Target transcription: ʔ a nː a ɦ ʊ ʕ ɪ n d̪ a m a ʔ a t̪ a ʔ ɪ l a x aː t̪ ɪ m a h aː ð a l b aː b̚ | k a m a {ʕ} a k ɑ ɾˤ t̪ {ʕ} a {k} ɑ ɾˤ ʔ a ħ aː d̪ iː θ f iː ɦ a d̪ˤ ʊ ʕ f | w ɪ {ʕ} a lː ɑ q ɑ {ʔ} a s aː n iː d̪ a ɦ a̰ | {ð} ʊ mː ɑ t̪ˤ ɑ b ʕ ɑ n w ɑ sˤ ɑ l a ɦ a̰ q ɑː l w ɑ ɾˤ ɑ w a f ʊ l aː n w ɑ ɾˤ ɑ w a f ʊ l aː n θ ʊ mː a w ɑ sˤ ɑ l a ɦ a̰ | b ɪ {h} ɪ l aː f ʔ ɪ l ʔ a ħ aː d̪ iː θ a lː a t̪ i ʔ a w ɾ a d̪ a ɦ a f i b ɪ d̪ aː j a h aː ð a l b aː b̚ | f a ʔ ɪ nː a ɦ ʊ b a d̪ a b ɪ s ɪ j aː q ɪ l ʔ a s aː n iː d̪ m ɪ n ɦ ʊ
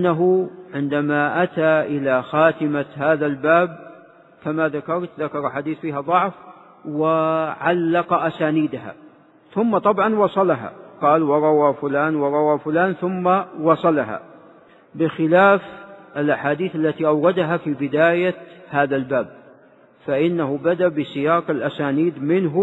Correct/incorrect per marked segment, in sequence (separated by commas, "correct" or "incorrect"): incorrect, incorrect, correct, correct, correct, incorrect, incorrect